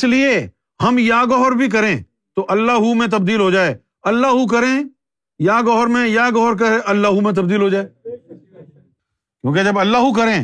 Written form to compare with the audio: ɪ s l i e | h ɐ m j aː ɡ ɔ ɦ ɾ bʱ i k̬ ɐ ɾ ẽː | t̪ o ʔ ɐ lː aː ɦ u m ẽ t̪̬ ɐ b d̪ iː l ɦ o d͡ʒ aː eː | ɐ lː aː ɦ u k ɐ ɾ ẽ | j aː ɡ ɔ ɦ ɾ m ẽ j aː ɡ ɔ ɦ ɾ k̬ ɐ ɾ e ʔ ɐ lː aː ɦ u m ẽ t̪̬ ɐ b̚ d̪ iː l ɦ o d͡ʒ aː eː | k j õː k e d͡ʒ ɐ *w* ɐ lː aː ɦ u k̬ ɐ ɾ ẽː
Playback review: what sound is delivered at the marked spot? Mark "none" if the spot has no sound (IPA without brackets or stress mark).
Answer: b